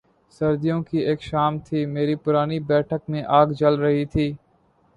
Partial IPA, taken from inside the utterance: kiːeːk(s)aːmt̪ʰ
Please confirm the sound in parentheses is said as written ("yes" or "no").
no